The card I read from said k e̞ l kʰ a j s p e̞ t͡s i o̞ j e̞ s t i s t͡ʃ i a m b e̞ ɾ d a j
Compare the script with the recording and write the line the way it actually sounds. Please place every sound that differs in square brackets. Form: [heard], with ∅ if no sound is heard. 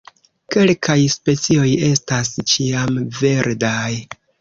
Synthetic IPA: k e̞ l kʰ a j s p e̞ t͡s i o̞ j e̞ s t [a] s t͡ʃ i a m [v] e̞ ɾ d a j